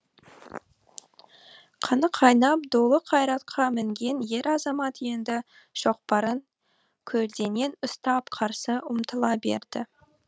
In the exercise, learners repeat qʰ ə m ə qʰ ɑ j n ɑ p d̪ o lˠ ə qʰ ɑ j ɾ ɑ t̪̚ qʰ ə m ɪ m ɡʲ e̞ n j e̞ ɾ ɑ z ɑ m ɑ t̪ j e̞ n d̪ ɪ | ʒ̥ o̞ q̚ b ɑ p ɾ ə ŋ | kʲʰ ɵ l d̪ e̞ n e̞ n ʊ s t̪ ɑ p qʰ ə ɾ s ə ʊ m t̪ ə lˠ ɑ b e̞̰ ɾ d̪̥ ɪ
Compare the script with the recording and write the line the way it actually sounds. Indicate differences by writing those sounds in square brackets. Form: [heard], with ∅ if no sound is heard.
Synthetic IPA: qʰ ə [n] ə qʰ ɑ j n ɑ p d̪ o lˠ ə qʰ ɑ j ɾ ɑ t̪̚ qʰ [ɑ] m ɪ [ŋ] ɡʲ e̞ n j e̞ ɾ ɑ z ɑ m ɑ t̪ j e̞ n d̪ ɪ | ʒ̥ o̞ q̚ [p] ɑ [∅] ɾ ə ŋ | kʲʰ ɵ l d̪ e̞ n e̞ n ʊ s t̪ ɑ p qʰ [ɑ] ɾ s ə ʊ m t̪ ə lˠ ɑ b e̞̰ ɾ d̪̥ ɪ